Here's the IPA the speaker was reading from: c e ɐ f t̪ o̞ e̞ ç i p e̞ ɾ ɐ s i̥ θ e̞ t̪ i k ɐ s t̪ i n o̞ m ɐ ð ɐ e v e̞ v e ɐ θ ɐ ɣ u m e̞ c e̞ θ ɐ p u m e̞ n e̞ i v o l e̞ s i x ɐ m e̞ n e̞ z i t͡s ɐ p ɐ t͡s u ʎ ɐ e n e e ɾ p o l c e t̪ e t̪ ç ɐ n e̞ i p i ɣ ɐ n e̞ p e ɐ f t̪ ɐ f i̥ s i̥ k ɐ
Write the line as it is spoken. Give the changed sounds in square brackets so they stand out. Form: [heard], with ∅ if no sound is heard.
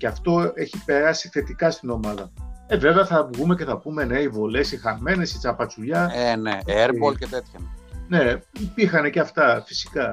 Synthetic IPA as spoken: c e ɐ f t̪ o̞ e̞ ç i p e̞ ɾ ɐ s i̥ θ e̞ t̪ i k ɐ s t̪ i n o̞ m ɐ ð ɐ e v e̞ v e ɐ θ ɐ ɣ u m e̞ c e̞ θ ɐ p u m e̞ n e̞ i v o l e̞ s i x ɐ m e̞ n e̞ [s] i t͡s ɐ p ɐ t͡s u ʎ ɐ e n e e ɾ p o l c e t̪ e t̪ ç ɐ n e̞ i p i [x] ɐ n e̞ [c] e ɐ f t̪ ɐ f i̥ s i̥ k ɐ